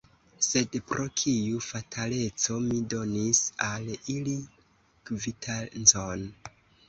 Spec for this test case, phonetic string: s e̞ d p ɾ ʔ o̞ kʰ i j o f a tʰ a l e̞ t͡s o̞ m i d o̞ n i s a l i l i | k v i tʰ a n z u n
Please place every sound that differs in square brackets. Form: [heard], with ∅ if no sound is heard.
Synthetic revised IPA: s e̞ d p ɾ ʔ o̞ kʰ i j [u] f a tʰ a l e̞ t͡s o̞ m i d o̞ n i s a l i l i | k v i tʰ a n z [o] n